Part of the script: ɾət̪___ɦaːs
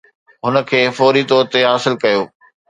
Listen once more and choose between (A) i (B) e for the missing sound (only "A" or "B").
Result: B